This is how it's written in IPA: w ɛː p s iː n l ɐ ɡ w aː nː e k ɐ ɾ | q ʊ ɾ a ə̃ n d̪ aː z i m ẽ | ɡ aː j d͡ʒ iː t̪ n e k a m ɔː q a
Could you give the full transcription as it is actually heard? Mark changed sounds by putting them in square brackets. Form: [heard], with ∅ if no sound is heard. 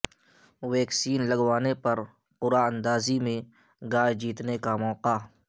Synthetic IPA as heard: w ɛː [k] s iː n l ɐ ɡ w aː [n] e [p] ɐ ɾ | q ʊ ɾ a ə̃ n d̪ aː z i m ẽ | ɡ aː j d͡ʒ iː t̪ n e k a m ɔː q a